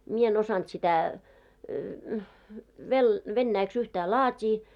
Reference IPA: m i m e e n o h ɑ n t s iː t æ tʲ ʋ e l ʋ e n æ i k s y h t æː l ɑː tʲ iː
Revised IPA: m i e e n o s ɑ n t s i t æ ʋ e l ʋ e nː æ i k s y h t æː l ɑː tʲ iː